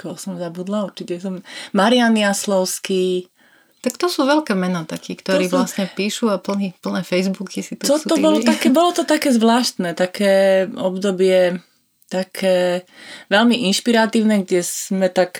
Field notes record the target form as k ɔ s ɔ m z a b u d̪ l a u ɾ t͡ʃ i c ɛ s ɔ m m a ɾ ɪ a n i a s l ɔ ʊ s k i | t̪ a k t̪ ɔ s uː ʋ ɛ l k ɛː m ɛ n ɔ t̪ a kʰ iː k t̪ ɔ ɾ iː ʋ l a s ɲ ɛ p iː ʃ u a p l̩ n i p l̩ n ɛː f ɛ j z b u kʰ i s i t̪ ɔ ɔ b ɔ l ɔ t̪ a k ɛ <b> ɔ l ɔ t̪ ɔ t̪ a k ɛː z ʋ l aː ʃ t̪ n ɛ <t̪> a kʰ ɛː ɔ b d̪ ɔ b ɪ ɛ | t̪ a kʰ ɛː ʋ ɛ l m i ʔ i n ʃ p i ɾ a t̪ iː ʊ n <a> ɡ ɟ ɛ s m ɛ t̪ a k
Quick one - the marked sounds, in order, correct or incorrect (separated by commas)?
correct, correct, incorrect